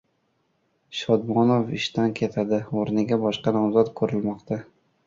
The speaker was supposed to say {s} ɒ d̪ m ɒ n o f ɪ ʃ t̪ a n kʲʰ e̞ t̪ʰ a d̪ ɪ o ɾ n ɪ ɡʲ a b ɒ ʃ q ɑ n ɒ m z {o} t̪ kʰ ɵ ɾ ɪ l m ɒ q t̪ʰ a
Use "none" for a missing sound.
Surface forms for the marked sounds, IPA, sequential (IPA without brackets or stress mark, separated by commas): ʃ, ɒ